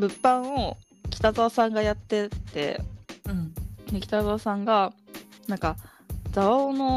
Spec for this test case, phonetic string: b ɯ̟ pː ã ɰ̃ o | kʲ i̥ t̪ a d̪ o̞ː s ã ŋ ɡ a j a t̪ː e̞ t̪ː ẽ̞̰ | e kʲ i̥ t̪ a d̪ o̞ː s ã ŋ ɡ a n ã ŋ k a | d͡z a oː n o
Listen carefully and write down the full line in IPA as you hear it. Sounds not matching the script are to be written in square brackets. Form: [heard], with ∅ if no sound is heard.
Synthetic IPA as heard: b ɯ̟ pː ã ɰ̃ o | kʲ i̥ t̪ a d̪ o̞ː s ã ŋ ɡ a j a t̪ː e̞ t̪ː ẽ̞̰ | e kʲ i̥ t̪ a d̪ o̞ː s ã ŋ ɡ a n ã ŋ k a | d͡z a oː n o